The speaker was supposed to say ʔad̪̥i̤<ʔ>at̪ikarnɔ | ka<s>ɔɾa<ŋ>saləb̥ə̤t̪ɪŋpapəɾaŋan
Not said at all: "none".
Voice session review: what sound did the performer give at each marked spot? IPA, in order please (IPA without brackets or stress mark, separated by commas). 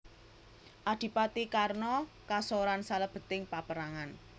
p, s, n